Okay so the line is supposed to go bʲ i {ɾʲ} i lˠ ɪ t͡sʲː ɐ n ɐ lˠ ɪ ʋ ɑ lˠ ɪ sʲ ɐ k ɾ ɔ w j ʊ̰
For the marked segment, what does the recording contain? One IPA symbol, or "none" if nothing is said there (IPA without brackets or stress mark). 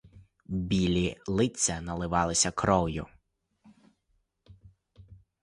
lʲ